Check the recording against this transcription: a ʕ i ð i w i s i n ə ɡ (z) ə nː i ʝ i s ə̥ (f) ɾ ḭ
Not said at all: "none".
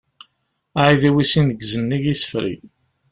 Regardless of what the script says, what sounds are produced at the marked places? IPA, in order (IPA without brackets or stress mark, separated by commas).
z, f